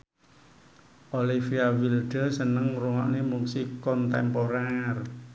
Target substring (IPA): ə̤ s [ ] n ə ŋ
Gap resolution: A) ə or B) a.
A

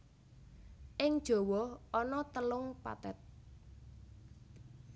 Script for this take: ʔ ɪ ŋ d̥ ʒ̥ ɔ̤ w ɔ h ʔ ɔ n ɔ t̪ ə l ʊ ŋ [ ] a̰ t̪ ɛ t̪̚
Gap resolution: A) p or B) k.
A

